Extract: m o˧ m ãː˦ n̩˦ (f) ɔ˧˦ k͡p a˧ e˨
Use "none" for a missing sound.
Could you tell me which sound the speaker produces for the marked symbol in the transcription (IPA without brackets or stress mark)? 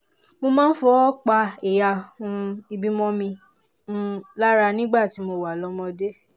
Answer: f